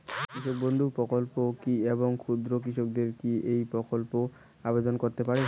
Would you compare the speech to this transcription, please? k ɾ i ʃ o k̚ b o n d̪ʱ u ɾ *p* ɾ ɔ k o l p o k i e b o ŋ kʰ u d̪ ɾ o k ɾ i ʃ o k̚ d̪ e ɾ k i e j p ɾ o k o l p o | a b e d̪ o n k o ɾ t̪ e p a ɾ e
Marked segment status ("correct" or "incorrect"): correct